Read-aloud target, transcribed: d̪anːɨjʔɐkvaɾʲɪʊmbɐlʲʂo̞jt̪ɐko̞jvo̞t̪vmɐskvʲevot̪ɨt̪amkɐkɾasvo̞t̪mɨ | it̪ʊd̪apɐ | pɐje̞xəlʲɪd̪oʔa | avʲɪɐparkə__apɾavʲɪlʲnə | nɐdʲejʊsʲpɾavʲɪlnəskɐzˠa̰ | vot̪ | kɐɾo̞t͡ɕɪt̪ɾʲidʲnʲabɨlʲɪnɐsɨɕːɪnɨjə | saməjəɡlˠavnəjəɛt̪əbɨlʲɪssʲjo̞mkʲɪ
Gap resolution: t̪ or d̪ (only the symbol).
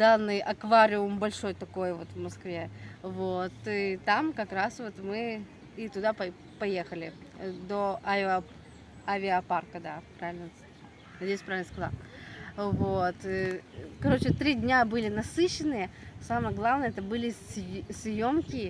d̪